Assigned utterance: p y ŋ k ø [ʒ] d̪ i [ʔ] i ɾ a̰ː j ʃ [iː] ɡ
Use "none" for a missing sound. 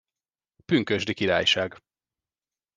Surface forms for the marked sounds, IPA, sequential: ʒ, k, aː

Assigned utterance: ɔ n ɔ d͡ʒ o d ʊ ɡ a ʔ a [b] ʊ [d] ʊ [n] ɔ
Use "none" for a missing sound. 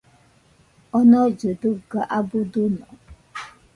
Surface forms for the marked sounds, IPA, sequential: b, d, n

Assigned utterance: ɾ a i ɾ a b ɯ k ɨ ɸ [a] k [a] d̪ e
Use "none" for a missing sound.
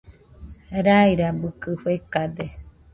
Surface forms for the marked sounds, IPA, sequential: e, a

